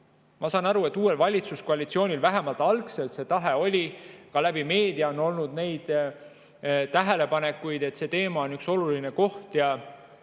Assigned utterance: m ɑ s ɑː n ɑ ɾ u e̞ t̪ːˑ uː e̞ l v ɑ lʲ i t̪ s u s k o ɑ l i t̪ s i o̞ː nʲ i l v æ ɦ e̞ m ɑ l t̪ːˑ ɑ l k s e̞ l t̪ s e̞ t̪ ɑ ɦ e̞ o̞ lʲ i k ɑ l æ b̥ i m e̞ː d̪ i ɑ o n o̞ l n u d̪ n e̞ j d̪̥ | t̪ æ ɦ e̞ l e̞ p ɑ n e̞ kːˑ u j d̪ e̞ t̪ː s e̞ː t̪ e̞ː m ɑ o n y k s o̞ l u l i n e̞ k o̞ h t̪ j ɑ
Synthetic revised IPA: m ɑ s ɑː n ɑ ɾ u e̞ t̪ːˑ uː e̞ l v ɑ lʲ i t̪ s u s k o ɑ l i t̪ s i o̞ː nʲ i l v æ ɦ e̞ m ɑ l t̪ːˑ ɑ l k s e̞ l t̪ s e̞ t̪ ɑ ɦ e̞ o̞ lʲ i k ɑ l æ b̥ i m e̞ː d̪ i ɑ o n o̞ l n u d̪ n e̞ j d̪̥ | t̪ æ ɦ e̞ l e̞ p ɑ n e̞ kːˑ u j d̪ e̞ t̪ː s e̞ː t̪ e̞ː m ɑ o n y k s o̞ l u l i n e̞ k o̞ h t̪ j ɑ

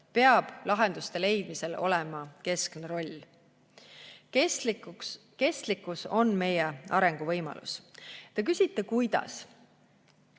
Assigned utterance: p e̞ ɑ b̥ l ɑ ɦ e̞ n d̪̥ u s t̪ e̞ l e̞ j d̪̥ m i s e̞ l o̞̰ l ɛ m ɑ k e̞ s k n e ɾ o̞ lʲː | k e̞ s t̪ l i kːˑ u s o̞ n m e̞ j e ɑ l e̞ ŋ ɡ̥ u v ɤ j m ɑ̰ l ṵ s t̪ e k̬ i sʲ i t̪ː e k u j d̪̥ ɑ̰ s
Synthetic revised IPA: p e̞ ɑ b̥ l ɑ ɦ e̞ n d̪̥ u s t̪ e̞ l e̞ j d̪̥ m i s e̞ l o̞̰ l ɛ m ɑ k e̞ s k n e ɾ o̞ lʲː | k e̞ s t̪ l i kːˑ u s o̞ n m e̞ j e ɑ ɾ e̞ ŋ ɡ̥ u v ɤ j m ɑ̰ l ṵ s t̪ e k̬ y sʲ i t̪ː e k u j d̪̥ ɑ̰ s

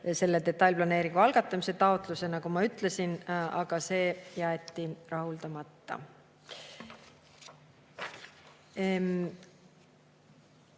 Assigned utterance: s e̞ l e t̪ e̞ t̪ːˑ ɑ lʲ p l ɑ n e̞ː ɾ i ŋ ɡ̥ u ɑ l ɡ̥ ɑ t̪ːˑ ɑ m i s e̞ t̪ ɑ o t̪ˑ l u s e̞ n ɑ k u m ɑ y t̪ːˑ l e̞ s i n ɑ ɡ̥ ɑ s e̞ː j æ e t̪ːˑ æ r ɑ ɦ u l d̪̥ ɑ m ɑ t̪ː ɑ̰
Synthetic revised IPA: s e̞ lː e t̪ e̞ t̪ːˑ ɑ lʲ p l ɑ n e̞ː ɾ i ŋ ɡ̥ u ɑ l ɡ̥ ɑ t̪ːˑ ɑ m i s e̞ t̪ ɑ o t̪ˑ l u s e̞ n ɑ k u m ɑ y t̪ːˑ l e̞ s i n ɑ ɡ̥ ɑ s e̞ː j æ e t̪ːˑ i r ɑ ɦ u l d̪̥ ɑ m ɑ t̪ː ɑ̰

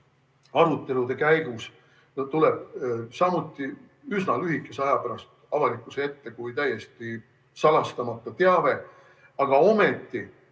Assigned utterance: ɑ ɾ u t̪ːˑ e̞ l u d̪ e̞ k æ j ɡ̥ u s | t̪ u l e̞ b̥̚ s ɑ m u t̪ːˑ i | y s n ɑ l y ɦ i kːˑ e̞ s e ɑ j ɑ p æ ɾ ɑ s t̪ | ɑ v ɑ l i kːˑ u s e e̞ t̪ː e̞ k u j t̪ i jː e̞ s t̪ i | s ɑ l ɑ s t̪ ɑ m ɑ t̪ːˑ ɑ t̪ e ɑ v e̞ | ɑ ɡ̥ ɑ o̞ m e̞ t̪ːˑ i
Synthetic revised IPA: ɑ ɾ u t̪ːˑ e̞ l u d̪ e̞ k æ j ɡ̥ u s | t̪ u l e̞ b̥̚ s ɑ m u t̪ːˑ i | y s n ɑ l y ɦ i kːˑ e̞ s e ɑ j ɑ p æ ɾ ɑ s t̪ | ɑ v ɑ l i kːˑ u s e e̞ t̪ː e̞ k u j t̪ æ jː e̞ s t̪ i | s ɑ l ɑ s t̪ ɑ m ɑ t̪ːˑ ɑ t̪ e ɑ v e̞ | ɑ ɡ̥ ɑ o̞ m e̞ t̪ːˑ i

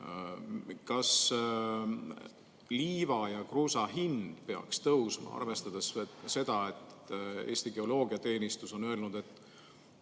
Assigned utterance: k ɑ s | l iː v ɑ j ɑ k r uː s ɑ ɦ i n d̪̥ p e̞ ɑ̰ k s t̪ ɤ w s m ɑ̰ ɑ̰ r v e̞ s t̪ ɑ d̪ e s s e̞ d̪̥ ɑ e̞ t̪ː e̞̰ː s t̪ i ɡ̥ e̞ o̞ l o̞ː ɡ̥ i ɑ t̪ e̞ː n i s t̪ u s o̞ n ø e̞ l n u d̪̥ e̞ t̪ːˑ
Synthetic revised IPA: k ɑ s | l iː v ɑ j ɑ k r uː s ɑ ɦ i n d̪̥ p e̞ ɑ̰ k s t̪ ɤ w s m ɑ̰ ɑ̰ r v e̞ s t̪ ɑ d̪ e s s e̞ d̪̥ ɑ e̞ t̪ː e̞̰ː s t̪ i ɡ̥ e̞ o̞ l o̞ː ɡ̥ i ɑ t̪ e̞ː n i s t̪ u s o̞ n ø e̞ l n u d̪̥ e̞ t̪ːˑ

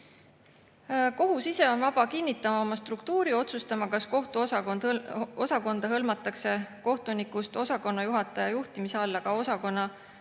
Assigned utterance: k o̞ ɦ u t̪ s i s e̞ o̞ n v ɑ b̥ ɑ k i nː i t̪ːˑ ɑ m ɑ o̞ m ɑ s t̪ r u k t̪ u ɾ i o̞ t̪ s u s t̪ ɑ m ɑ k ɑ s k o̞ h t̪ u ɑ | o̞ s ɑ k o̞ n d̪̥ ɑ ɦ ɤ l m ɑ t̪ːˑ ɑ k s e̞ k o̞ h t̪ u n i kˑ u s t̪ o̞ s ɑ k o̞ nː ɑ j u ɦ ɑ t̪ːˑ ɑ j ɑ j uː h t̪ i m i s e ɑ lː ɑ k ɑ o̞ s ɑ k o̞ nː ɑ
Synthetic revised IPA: k o̞ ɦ u s i s e̞ o̞ n v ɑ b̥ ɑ k i nː i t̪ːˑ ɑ m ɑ o̞ m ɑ s t̪ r u k t̪ uː ɾ i o̞ t̪ s u s t̪ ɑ m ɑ k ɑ s k o̞ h t̪ u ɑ | o̞ s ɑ k o̞ n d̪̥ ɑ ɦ ɤ l m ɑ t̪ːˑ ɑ k s e̞ k o̞ h t̪ u n i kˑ u s t̪ o̞ s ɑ k o̞ nː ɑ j u ɦ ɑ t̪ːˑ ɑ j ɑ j u h t̪ i m i s e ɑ lː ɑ k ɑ o̞ s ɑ k o̞ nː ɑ

